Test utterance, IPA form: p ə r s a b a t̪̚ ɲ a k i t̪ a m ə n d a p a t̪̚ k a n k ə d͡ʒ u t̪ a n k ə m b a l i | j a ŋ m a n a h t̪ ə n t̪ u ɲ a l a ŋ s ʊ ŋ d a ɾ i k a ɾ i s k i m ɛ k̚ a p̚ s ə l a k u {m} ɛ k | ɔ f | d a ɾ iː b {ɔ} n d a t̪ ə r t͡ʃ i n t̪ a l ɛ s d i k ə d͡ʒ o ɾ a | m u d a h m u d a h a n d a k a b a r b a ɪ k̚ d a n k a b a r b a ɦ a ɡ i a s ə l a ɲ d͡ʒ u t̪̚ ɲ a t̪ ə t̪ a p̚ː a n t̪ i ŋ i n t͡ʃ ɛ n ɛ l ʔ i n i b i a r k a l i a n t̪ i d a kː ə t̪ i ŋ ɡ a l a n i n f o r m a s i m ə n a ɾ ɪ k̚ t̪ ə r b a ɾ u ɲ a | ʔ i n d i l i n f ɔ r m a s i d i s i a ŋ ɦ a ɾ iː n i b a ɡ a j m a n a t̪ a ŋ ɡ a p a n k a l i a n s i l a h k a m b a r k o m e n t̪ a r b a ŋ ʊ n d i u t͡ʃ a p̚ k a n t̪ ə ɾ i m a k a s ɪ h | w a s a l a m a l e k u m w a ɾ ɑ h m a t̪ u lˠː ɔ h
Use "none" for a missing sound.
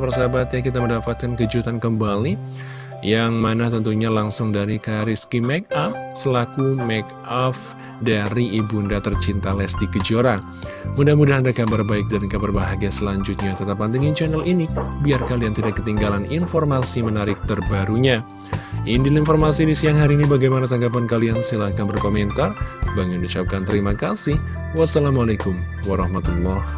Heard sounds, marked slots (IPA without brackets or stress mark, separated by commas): m, u